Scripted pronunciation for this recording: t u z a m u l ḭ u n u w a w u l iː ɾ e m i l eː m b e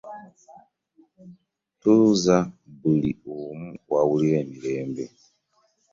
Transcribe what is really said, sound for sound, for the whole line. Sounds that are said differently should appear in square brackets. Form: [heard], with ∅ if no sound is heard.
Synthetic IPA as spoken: t u z a [b] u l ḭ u [m] u w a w u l [i] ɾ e m i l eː m b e